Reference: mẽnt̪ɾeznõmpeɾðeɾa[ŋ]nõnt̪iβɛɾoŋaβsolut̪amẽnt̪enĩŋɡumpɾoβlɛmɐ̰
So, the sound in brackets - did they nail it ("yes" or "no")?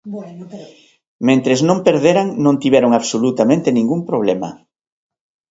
yes